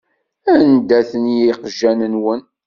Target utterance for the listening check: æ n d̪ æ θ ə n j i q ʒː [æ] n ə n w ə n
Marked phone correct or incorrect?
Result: correct